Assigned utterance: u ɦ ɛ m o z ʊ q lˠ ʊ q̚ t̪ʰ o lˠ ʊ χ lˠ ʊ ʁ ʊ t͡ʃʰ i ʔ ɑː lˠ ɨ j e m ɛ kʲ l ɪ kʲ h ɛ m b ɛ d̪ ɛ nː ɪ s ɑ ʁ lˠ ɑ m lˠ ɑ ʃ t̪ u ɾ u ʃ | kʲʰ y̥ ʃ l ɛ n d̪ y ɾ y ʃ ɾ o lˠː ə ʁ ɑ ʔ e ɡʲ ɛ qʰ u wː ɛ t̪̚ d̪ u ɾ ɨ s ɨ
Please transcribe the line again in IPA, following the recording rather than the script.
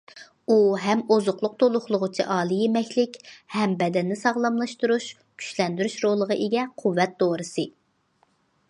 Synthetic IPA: u ɦ ɛ m o z ʊ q lˠ ʊ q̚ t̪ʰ o lˠ ʊ χ lˠ ʊ ʁ ʊ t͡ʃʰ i ʔ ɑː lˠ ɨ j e m ɛ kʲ l ɪ kʲ h ɛ m b ɛ d̪ ɛ nː ɪ s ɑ ʁ lˠ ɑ m lˠ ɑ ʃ t̪ u ɾ u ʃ | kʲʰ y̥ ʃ l ɛ n d̪ y ɾ y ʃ ɾ o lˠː ə ʁ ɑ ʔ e ɡʲ ɛ qʰ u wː ɛ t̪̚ d̪ o ɾ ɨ s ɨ